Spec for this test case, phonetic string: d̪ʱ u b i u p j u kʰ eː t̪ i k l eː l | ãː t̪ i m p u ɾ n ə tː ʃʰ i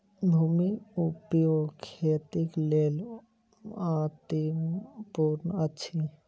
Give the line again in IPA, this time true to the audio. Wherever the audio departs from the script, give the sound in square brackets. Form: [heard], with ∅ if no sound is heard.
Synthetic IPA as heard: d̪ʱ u [m] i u p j [o] kʰ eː t̪ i k l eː l | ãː t̪ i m p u ɾ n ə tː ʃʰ i